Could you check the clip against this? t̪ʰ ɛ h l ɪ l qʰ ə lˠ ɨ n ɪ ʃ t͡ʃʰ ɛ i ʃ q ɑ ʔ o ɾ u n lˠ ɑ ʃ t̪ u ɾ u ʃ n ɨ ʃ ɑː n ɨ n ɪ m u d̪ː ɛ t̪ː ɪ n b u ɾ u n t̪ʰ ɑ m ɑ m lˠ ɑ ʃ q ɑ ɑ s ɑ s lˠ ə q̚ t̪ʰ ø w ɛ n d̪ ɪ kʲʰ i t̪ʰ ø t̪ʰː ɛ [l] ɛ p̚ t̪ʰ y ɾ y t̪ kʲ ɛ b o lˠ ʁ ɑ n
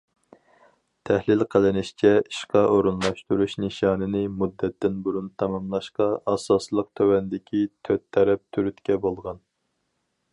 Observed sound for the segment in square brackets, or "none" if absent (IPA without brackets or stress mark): ɾ